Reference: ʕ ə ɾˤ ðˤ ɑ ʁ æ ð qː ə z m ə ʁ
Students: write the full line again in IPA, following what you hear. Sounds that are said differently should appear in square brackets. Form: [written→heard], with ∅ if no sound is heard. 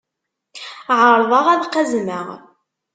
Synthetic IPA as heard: ʕ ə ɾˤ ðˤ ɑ ʁ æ ð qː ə z m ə ʁ